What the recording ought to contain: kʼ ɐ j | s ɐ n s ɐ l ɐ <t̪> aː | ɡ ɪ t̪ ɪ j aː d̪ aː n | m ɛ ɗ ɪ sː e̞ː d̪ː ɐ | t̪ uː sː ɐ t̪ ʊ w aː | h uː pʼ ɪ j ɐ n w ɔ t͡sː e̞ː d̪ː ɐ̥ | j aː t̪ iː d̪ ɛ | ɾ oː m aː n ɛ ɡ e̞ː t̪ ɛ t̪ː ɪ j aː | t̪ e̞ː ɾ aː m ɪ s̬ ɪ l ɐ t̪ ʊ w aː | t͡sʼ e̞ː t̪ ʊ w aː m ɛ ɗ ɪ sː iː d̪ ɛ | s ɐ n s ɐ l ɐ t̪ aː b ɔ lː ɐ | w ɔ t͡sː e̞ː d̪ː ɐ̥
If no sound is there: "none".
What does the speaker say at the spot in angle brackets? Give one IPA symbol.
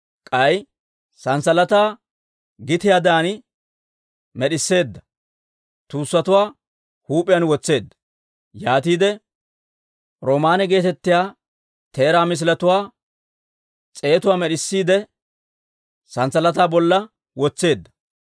t̪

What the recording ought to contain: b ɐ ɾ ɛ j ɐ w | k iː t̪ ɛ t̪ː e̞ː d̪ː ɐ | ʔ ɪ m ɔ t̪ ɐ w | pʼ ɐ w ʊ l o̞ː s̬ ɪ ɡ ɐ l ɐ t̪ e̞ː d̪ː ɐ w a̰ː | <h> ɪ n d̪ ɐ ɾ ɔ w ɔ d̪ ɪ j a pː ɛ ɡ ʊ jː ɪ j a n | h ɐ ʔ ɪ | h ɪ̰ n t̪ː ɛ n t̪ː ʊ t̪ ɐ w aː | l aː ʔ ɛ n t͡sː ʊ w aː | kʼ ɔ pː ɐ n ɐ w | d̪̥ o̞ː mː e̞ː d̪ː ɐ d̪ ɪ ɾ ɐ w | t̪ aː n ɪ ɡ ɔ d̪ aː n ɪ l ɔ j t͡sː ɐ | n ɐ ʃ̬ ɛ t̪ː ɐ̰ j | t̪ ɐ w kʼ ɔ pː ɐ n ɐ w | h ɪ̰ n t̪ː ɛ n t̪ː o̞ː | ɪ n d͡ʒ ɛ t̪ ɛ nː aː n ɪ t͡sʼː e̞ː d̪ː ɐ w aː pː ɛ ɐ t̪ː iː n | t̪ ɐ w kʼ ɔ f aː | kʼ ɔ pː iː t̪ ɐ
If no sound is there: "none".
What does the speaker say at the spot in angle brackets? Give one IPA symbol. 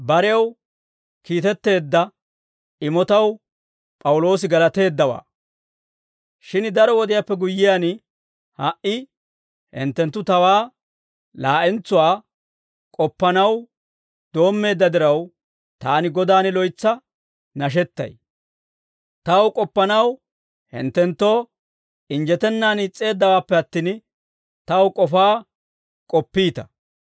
ʃ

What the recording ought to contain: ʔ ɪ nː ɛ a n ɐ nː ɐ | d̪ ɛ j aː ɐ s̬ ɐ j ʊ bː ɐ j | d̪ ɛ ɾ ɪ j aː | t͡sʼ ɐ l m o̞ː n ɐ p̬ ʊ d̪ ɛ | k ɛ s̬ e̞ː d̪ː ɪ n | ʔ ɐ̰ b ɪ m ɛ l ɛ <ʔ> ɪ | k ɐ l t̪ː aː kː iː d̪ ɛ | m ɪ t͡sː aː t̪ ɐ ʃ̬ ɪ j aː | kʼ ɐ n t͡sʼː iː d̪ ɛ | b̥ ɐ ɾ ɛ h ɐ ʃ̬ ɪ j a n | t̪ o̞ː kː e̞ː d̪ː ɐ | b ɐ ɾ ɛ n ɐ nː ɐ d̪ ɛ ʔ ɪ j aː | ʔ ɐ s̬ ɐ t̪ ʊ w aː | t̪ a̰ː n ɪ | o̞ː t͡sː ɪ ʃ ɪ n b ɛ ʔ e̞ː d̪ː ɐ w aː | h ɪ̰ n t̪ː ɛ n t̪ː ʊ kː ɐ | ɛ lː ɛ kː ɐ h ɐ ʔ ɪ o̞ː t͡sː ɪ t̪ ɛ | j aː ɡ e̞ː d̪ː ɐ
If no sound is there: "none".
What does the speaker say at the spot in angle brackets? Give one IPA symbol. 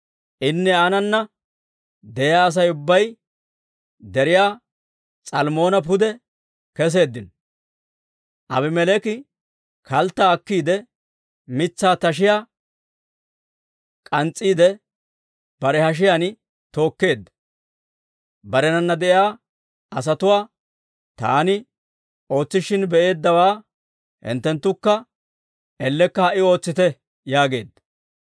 k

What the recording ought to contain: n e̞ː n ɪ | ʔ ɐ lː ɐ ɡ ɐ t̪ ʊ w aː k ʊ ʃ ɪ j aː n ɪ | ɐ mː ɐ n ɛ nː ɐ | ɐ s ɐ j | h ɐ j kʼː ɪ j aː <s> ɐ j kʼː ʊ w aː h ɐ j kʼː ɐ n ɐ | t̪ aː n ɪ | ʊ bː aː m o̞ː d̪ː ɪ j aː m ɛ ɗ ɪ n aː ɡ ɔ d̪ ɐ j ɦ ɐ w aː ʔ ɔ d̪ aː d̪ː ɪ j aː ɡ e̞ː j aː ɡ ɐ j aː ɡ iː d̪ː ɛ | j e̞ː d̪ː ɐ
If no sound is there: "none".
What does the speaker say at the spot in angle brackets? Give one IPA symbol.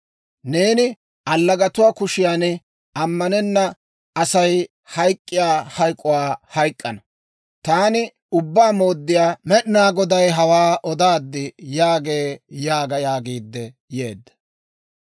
h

